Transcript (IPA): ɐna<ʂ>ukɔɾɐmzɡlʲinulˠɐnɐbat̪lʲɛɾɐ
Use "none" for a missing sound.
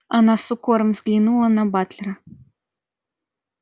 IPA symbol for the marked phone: s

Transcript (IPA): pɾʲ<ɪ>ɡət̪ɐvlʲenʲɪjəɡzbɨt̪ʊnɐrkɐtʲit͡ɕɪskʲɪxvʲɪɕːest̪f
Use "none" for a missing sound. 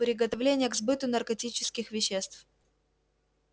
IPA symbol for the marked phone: ɪ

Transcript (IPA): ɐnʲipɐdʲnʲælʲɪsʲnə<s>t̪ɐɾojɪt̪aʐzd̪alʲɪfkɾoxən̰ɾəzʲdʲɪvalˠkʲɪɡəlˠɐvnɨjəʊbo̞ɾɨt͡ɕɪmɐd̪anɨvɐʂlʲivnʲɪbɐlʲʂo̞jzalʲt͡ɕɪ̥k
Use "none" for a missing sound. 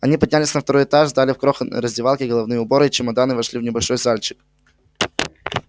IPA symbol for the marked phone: f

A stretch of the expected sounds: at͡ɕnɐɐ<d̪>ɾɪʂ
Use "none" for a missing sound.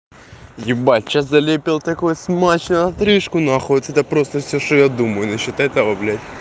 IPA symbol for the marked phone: t̪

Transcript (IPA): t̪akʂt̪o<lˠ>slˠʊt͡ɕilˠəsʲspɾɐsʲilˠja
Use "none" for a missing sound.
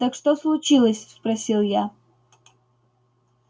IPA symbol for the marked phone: none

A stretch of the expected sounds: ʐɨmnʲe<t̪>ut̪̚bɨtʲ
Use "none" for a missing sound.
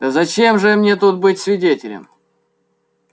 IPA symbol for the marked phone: t̪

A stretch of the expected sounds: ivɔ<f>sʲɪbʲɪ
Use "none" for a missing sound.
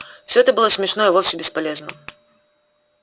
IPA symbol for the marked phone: f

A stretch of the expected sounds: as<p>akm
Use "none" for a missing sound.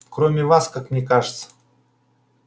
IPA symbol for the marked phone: k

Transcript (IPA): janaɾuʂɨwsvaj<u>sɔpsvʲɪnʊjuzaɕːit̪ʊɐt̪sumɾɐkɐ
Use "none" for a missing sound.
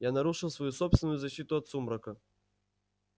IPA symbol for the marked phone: u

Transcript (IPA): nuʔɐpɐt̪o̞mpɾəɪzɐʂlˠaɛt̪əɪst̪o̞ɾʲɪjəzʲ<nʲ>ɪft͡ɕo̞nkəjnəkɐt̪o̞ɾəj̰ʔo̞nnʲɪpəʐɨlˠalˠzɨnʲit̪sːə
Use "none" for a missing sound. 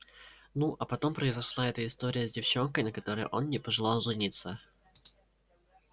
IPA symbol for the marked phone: dʲ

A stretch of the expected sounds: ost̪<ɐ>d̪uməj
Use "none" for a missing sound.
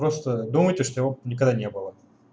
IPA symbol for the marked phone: ə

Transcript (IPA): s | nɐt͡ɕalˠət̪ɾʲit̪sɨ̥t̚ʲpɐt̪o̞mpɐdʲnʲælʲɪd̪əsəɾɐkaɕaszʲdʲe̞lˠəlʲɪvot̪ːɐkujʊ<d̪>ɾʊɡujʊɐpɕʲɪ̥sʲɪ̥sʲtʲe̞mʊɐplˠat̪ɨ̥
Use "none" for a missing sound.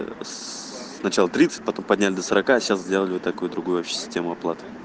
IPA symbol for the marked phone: d̪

